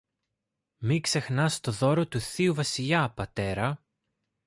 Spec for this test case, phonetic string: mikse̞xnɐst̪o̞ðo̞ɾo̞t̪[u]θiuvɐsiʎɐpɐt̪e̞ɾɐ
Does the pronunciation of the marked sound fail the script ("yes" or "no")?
no